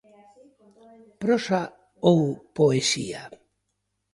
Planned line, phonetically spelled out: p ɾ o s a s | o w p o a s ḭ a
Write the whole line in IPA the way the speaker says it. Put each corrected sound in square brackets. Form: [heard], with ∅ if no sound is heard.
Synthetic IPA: p ɾ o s a [∅] | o w p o [e] s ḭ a